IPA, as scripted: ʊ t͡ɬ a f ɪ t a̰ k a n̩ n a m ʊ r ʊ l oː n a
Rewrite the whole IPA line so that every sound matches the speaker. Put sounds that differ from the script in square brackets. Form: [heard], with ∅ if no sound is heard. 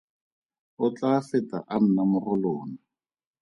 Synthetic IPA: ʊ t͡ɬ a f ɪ t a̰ [ʔ] a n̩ n a m ʊ r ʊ l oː n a